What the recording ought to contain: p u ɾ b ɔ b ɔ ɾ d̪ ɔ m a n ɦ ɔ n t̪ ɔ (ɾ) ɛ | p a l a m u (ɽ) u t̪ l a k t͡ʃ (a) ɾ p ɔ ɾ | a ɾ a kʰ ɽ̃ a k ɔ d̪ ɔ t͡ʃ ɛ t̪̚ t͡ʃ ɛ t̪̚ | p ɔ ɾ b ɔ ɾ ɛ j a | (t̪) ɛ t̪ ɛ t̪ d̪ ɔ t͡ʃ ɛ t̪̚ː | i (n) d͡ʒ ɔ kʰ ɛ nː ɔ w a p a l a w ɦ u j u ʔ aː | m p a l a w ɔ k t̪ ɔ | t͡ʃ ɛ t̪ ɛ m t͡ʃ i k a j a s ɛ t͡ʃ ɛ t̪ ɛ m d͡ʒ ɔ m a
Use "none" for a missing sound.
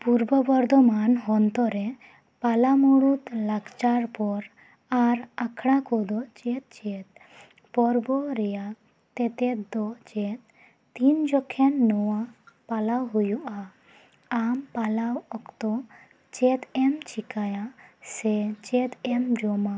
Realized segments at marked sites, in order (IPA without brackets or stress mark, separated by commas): ɾ, ɽ, a, t̪, n